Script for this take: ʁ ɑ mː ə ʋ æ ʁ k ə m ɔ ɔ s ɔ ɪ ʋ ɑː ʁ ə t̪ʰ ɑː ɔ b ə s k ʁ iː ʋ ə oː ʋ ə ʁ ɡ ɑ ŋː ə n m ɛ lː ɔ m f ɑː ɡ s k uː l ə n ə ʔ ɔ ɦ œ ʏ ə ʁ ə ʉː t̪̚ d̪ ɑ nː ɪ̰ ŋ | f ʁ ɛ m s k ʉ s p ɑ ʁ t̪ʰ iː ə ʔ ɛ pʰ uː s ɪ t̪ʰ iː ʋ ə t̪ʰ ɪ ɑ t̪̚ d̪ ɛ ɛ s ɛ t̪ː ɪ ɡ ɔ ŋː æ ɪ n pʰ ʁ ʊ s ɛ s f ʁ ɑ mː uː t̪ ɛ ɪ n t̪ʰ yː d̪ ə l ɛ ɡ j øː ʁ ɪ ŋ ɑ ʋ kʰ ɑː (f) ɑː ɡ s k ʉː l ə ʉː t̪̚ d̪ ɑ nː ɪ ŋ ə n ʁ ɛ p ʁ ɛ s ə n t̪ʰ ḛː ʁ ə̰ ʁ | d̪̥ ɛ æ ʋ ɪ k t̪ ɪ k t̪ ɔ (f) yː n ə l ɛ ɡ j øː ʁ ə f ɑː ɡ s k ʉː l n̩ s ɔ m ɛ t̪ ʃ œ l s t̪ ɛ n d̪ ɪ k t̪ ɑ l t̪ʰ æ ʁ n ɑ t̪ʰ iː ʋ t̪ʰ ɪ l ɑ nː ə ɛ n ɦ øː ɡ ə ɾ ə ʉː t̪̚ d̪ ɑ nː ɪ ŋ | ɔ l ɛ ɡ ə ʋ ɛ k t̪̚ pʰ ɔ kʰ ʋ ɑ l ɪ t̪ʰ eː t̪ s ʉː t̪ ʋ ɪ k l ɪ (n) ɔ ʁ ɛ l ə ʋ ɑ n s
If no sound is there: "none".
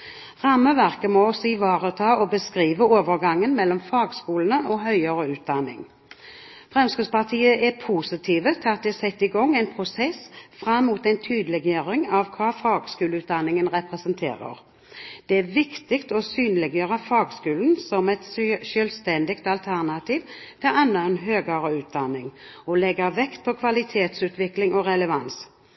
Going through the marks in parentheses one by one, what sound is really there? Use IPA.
f, s, ŋ

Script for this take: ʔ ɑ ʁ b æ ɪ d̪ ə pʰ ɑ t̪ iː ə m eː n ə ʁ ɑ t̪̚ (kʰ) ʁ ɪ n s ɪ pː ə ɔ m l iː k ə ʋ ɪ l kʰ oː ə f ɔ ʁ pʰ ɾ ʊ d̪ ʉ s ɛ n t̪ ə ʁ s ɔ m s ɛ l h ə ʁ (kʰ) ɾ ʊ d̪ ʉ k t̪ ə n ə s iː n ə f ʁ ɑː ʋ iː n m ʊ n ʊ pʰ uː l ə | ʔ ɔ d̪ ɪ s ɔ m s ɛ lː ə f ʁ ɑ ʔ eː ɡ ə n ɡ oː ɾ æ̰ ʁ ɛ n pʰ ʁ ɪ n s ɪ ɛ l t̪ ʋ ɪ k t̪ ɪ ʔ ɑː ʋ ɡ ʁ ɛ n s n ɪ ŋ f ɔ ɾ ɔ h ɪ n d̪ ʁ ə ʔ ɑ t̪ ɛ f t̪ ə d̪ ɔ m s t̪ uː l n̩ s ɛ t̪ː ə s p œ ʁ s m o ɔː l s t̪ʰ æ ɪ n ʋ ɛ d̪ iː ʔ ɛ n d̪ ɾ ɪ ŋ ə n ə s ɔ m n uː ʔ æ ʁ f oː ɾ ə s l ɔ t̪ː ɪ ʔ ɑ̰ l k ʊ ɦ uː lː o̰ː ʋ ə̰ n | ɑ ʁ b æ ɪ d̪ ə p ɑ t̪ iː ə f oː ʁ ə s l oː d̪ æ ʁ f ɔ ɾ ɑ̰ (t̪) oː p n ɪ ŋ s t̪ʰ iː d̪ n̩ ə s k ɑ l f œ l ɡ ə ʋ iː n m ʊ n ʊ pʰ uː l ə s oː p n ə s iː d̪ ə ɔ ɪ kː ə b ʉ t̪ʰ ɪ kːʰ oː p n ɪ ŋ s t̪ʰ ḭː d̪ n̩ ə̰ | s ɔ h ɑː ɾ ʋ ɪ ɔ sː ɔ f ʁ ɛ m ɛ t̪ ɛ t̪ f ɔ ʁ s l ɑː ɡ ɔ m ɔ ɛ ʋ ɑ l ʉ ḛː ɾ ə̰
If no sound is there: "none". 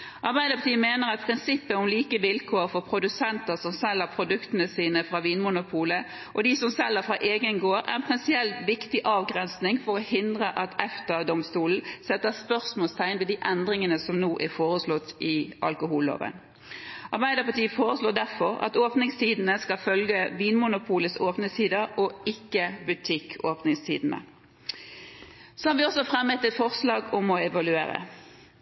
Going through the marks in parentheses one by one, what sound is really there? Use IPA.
pʰ, pʰ, t̪

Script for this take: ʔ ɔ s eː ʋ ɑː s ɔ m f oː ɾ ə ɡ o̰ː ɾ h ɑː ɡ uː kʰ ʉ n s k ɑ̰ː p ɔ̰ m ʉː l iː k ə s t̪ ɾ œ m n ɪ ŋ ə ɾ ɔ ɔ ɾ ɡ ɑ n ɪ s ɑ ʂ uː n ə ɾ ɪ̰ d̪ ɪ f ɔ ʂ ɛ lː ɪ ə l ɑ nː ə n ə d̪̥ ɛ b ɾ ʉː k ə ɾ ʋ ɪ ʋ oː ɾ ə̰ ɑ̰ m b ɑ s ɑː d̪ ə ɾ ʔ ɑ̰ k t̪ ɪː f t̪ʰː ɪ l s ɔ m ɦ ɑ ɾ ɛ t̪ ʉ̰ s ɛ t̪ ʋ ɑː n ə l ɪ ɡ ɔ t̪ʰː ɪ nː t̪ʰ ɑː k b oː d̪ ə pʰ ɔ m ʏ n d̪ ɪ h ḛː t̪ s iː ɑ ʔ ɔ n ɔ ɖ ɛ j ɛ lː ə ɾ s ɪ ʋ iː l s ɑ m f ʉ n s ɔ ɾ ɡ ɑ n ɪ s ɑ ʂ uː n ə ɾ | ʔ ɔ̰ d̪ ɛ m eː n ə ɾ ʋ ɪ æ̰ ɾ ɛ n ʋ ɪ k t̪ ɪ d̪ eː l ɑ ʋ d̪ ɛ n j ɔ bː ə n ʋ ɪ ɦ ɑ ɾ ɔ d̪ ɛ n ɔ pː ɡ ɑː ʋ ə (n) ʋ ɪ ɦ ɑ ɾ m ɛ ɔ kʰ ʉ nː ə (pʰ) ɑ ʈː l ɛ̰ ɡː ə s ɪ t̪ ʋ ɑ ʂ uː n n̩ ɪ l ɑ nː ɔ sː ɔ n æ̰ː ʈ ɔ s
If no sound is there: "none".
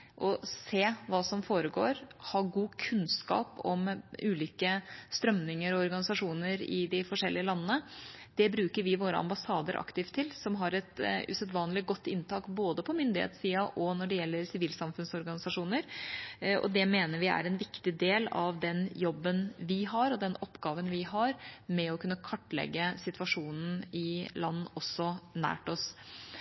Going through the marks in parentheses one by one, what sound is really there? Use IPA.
n, kʰ

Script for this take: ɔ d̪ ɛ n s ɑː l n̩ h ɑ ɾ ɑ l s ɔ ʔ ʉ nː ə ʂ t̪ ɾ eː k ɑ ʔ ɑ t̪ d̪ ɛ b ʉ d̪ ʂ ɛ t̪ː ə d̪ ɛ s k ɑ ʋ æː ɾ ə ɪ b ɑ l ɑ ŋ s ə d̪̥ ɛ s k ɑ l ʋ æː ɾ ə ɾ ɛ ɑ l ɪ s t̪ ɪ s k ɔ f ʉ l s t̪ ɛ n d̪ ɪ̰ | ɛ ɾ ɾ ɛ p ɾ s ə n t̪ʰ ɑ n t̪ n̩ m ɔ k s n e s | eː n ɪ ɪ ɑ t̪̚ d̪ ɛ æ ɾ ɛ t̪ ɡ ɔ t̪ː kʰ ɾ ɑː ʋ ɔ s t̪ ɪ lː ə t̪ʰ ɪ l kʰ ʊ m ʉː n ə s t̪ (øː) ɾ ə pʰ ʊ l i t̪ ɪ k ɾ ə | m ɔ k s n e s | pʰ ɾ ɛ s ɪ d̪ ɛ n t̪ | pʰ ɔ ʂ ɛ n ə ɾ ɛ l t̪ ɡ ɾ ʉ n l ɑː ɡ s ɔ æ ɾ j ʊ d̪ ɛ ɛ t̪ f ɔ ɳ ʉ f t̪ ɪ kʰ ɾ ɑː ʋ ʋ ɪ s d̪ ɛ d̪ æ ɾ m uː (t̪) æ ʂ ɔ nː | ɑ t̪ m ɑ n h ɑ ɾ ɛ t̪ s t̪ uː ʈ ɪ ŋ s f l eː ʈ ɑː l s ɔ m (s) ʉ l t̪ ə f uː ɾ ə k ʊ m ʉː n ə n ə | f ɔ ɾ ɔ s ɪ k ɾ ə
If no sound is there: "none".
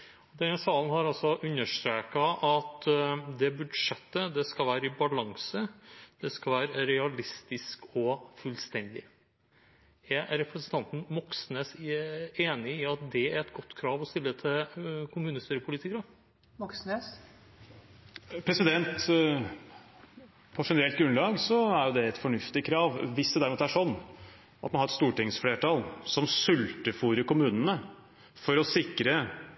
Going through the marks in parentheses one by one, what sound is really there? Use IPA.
yː, t̪, s

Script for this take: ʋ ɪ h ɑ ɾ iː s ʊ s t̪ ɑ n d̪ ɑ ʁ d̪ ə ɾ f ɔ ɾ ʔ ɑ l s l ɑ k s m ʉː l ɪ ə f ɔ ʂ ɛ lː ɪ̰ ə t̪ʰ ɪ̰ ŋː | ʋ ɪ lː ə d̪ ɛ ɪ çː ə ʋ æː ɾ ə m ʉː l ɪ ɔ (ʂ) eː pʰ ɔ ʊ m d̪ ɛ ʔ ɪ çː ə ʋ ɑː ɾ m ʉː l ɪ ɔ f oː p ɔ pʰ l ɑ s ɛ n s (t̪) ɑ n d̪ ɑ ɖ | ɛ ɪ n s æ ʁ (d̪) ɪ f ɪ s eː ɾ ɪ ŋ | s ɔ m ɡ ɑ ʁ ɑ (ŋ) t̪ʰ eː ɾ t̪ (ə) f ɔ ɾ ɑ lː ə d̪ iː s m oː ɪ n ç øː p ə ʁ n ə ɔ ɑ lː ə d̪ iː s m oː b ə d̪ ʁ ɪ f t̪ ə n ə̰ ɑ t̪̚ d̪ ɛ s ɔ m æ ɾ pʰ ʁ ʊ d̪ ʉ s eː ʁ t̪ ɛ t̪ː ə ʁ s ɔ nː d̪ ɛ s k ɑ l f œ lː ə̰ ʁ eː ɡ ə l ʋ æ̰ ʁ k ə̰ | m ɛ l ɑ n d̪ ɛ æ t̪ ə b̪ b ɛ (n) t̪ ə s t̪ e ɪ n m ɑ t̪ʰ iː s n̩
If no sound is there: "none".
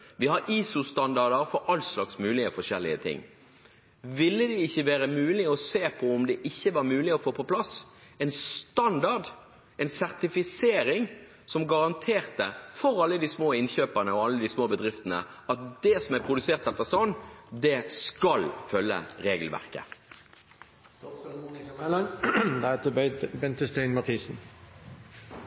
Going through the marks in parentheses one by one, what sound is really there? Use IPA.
s, t̪, t̪, n, ə, n

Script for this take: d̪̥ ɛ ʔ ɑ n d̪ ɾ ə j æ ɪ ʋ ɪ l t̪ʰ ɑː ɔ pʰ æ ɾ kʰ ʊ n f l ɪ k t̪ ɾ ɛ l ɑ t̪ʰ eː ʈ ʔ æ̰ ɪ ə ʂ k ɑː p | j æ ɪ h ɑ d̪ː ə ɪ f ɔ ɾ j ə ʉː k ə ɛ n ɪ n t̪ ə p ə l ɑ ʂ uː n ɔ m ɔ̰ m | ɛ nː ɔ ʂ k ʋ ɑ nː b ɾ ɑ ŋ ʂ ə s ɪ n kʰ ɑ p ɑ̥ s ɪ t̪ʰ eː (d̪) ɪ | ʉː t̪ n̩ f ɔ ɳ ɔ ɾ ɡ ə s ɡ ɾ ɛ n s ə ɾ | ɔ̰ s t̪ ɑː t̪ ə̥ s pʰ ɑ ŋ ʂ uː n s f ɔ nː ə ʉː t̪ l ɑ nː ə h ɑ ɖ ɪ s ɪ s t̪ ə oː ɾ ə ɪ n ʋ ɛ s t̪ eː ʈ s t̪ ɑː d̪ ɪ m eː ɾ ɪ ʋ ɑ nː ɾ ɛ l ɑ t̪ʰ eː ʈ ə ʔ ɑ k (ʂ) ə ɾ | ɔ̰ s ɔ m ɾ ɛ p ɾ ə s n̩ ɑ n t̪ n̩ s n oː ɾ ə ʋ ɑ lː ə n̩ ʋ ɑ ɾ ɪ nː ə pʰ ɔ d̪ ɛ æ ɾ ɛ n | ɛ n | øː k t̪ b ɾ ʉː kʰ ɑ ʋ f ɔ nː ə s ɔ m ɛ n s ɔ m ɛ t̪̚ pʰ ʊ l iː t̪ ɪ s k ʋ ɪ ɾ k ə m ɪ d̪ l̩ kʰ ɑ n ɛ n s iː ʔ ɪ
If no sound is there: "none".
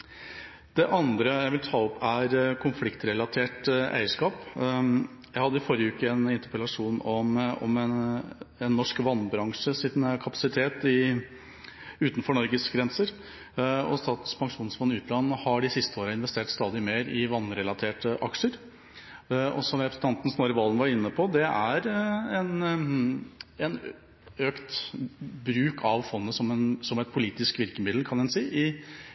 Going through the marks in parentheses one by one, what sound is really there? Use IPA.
t̪, ʂ

